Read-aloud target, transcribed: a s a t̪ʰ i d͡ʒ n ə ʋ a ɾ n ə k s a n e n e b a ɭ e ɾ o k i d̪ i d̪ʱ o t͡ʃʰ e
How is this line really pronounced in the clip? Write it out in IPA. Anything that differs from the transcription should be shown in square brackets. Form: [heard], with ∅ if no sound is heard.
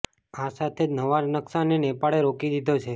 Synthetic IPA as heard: a s a t̪ʰ [e] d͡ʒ n ə ʋ a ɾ n ə k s a n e n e [p] a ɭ e ɾ o k i d̪ i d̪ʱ o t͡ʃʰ e